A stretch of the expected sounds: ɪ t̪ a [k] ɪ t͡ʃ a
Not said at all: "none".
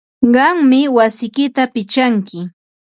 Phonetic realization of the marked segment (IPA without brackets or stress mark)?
p